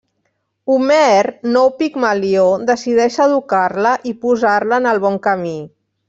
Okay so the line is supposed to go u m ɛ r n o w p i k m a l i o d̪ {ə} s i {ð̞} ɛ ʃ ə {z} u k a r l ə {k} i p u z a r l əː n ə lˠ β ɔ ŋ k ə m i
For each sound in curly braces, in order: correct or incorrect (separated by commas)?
correct, correct, incorrect, incorrect